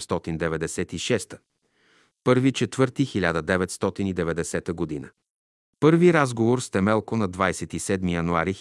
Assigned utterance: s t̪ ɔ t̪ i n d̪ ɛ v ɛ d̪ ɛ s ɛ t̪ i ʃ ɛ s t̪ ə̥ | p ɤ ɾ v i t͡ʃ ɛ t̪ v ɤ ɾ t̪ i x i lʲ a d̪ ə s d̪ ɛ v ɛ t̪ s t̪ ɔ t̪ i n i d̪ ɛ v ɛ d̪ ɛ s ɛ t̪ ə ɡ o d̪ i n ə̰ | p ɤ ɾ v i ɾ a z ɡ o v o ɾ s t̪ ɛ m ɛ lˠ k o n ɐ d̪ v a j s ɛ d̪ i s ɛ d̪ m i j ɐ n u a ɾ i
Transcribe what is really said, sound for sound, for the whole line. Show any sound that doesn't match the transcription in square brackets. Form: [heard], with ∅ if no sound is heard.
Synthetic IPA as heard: s t̪ ɔ t̪ i n d̪ ɛ v ɛ d̪ ɛ s ɛ t̪ i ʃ ɛ s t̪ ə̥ | p ɤ ɾ v i t͡ʃ ɛ t̪ v ɤ ɾ t̪ i x i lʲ a d̪ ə [∅] d̪ ɛ v ɛ t̪ s t̪ ɔ t̪ i n i d̪ ɛ v ɛ d̪ ɛ s ɛ t̪ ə ɡ o d̪ i n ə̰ | p ɤ ɾ v i ɾ a z ɡ o v o ɾ s t̪ ɛ m ɛ lˠ k o n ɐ d̪ v a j s ɛ [t̪] i s ɛ d̪ m i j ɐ n u a ɾ i